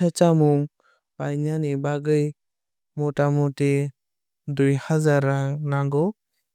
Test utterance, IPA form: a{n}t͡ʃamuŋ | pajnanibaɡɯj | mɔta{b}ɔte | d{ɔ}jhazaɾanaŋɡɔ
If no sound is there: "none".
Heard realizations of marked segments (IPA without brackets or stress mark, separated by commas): none, m, u